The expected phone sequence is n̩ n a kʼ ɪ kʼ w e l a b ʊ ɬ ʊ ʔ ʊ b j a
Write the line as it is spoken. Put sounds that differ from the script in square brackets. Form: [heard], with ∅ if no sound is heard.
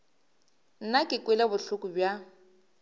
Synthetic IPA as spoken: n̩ n a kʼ ɪ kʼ w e l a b ʊ ɬ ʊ [k] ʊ b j a